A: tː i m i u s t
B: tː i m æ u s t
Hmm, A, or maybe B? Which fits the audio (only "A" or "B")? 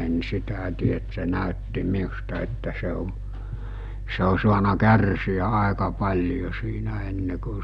A